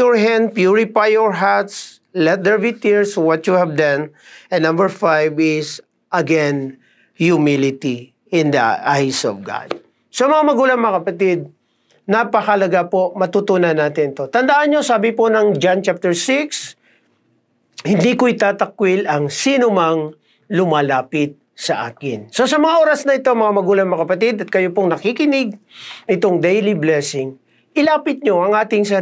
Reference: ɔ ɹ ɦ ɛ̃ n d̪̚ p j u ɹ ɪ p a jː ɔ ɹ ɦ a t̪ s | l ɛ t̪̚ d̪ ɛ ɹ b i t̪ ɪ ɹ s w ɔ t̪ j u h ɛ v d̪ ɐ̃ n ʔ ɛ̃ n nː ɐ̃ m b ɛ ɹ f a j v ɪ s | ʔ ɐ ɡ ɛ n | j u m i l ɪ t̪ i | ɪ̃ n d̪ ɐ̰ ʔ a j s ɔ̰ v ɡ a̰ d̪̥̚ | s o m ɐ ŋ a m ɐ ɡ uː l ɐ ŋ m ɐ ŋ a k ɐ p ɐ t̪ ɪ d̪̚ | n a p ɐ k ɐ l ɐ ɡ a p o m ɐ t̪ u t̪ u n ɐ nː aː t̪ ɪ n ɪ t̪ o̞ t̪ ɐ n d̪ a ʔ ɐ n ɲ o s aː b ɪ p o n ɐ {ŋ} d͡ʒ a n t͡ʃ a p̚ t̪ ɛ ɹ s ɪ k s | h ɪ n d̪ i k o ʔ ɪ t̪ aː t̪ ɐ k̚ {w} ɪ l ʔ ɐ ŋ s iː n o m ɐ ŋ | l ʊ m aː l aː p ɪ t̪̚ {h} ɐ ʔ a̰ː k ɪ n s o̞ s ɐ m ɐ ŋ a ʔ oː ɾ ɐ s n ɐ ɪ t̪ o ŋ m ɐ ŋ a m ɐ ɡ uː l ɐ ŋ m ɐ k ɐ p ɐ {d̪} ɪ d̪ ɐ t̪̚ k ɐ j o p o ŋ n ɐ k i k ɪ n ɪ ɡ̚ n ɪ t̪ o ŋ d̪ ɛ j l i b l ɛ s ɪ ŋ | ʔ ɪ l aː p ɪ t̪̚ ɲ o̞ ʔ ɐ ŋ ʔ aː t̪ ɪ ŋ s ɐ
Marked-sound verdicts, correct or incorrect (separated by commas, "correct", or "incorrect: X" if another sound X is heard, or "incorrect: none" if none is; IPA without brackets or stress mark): correct, correct, incorrect: s, incorrect: t̪